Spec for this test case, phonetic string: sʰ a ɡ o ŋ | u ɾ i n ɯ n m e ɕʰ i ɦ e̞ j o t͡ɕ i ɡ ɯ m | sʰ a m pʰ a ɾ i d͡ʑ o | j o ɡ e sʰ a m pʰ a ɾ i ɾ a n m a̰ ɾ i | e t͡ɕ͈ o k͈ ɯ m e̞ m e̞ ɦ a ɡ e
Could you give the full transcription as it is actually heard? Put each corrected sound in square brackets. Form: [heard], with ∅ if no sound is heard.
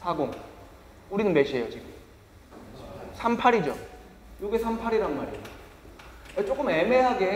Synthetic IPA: sʰ a ɡ o ŋ | u ɾ i n ɯ n m e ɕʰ i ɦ e̞ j o t͡ɕ i ɡ ɯ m | sʰ a m pʰ a ɾ i d͡ʑ o | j o ɡ e sʰ a m pʰ a ɾ i ɾ a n m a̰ ɾ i | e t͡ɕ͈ o k͈ ɯ m e̞ m e̞ ɦ a ɡ e